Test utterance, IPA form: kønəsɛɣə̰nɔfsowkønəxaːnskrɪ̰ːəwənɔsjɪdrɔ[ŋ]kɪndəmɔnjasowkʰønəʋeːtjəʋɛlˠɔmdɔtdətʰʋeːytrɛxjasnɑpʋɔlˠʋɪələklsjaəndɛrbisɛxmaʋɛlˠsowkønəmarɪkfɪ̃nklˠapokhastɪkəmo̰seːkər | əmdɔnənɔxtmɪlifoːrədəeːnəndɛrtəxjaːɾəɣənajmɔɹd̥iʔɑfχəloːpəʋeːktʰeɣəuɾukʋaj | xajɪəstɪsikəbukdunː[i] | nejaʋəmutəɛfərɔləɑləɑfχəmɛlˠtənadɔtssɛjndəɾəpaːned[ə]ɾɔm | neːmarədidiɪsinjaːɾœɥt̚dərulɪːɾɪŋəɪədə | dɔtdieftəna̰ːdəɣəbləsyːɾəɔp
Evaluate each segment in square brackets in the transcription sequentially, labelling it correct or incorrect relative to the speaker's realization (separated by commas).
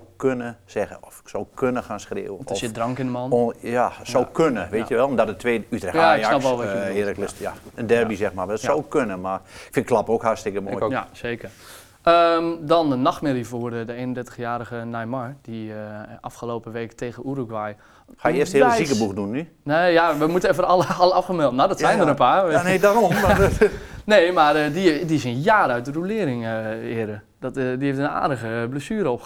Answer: correct, incorrect, incorrect